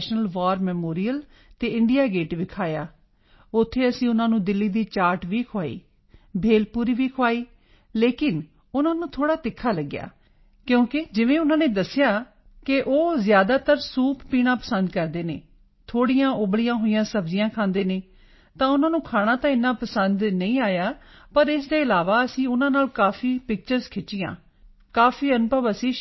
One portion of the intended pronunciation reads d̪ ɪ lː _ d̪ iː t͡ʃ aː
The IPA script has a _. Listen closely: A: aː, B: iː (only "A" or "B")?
B